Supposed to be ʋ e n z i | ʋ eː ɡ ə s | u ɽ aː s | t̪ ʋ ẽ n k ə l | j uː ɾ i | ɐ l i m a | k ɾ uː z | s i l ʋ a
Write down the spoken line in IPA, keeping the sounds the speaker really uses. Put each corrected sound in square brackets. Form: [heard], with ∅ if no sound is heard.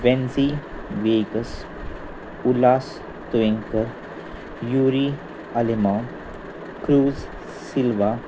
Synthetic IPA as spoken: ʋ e n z i | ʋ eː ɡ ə s | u [l] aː s | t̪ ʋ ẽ [ŋ] k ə [ɾ] | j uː ɾ i | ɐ l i m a | k ɾ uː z | s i l ʋ a

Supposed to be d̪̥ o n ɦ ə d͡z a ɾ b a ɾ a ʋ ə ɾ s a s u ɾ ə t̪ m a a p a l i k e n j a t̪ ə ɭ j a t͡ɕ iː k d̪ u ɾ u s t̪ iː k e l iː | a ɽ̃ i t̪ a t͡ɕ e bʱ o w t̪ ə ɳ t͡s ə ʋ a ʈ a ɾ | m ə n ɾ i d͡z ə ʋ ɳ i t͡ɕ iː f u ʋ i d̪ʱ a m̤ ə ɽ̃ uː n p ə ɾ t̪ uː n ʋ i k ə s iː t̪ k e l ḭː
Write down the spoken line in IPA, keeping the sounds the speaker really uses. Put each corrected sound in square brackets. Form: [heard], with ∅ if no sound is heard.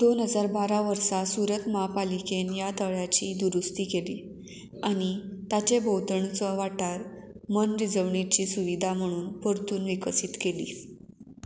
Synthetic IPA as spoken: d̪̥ o n ɦ ə d͡z a ɾ b a ɾ a ʋ ə ɾ s a s u ɾ ə t̪ m a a p a l i k e n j a t̪ ə ɭ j a t͡ɕ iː [∅] d̪ u ɾ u s t̪ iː k e l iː | a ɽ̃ i t̪ a t͡ɕ e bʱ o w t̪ ə ɳ t͡s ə ʋ a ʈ a ɾ | m ə n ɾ i d͡z ə ʋ ɳ i t͡ɕ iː [s] u ʋ i d̪ʱ a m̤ ə ɽ̃ uː n p ə ɾ t̪ uː n ʋ i k ə s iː t̪ k e l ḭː

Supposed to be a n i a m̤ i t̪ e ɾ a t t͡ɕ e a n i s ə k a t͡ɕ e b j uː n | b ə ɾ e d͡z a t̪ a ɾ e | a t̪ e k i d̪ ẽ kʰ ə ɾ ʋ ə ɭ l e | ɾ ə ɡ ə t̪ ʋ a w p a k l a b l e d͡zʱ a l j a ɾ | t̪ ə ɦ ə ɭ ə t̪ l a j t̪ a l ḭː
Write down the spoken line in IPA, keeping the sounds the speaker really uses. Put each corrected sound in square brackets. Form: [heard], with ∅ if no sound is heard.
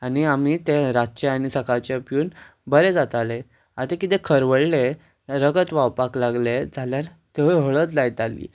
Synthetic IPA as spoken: a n i a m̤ i t̪ e ɾ a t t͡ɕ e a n i s ə k a t͡ɕ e [p] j uː n | b ə ɾ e d͡z a t̪ a [l] e | a t̪ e k i [t̪] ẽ kʰ ə ɾ ʋ ə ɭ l e | ɾ ə ɡ ə t̪ ʋ a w p a k l a [ɡ] l e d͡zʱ a l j a ɾ | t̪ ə ɦ ə ɭ ə t̪ l a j t̪ a l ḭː

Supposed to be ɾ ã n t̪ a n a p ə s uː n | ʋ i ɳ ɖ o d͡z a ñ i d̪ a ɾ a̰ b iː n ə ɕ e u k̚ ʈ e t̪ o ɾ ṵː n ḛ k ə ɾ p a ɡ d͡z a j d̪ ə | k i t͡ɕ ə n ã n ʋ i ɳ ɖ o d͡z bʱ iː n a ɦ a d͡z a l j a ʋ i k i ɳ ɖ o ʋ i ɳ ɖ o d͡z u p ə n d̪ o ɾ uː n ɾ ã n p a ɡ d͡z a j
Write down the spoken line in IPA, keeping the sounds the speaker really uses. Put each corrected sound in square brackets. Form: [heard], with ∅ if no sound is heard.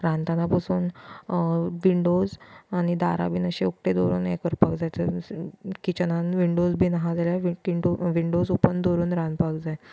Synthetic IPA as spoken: ɾ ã n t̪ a n a p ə s uː n | ʋ i ɳ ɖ o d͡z a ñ i d̪ a ɾ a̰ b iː n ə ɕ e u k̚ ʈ e [d̪] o ɾ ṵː n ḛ k ə ɾ p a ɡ d͡z a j [t̪] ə | k i t͡ɕ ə n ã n ʋ i ɳ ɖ o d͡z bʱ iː n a ɦ a d͡z a l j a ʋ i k i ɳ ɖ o ʋ i ɳ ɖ o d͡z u p ə n d̪ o ɾ uː n ɾ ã n p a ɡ d͡z a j

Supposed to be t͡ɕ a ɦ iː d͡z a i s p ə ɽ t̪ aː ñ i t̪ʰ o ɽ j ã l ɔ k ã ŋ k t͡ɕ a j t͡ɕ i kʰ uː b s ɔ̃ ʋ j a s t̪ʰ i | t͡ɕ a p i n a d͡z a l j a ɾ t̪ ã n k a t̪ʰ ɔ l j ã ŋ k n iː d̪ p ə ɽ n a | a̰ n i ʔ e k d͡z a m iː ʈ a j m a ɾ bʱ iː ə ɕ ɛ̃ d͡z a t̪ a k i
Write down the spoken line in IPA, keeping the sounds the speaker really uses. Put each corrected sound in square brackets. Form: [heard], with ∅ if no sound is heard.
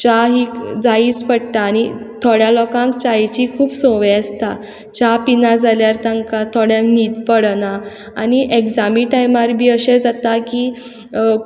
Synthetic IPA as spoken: t͡ɕ a ɦ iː d͡z a i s p ə ɽ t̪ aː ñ i t̪ʰ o ɽ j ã l ɔ k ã ŋ k t͡ɕ a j t͡ɕ i kʰ uː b s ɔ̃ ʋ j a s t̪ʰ [a] | t͡ɕ a p i n a d͡z a l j a ɾ t̪ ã [ŋ] k a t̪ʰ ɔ [ɽ] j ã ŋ k n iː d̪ p ə ɽ n a | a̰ n i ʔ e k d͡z a m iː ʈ a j m a ɾ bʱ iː ə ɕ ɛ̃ d͡z a t̪ a k i

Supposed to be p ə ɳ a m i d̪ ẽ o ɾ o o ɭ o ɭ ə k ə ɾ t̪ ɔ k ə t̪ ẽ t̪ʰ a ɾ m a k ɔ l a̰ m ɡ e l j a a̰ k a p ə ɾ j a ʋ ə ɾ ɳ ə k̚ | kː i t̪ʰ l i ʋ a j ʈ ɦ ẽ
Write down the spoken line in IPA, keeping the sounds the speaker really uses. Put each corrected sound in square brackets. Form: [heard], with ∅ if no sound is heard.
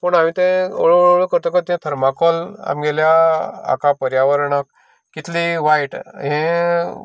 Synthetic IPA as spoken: p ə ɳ a m i [t̪] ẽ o [ɭ] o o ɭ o ɭ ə k ə ɾ t̪ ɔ k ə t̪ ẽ t̪ʰ [ə] ɾ m a k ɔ l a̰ m ɡ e l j a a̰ k a p ə ɾ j a ʋ ə ɾ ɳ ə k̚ | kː i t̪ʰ l i ʋ a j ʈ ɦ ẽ

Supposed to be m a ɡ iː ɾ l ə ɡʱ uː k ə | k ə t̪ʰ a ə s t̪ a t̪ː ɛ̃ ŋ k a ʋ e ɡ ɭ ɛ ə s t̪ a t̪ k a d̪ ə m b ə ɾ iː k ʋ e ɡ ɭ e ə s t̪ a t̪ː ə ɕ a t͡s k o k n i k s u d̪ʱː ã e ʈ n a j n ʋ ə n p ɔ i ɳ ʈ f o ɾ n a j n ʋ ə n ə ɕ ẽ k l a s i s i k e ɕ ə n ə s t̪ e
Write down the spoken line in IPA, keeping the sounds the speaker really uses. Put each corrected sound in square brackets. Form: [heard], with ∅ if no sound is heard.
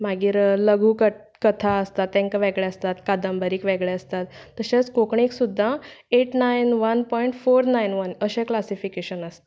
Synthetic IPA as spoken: m a ɡ iː ɾ l ə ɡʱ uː k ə | k ə t̪ʰ a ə s t̪ a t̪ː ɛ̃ ŋ k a ʋ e ɡ ɭ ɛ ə s t̪ a t̪ k a d̪ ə m b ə ɾ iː k ʋ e ɡ ɭ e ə s t̪ a t̪ː ə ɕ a t͡s k o k [ɳ] i k s u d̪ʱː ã e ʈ n a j n ʋ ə n p ɔ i ɳ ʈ f o ɾ n a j n ʋ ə n ə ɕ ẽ k l a s i [f] i k e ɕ ə n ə s t̪ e

